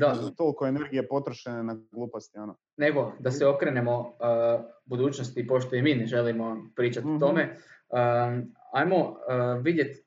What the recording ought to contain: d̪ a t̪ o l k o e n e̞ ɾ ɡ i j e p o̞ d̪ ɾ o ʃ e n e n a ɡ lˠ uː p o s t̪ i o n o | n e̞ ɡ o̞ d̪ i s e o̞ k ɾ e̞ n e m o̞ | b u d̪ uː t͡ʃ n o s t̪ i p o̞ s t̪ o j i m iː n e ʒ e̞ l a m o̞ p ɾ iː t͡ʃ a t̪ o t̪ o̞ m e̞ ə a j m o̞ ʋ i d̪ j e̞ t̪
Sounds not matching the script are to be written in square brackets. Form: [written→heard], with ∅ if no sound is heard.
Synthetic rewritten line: d̪ a t̪ o l k o e n e̞ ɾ ɡ i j e p o̞ [d̪→t̪] ɾ o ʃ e n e n a ɡ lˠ uː p o s t̪ i o n o | n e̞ ɡ o̞ d̪ [i→a] s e o̞ k ɾ e̞ n e m o̞ | b u d̪ uː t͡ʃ n o s t̪ i p o̞ [s→ʃ] t̪ o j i m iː n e ʒ e̞ l [a→i] m o̞ p ɾ iː t͡ʃ a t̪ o t̪ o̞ m e̞ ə a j m o̞ ʋ i d̪ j e̞ t̪